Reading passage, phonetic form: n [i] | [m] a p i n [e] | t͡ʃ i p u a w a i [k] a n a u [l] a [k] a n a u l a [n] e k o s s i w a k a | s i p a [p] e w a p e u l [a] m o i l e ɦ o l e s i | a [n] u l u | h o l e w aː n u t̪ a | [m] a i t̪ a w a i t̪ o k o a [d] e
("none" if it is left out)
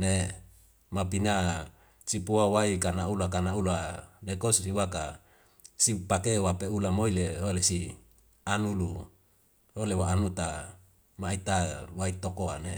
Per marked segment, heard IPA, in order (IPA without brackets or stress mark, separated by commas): e, m, a, k, l, k, n, k, a, n, m, n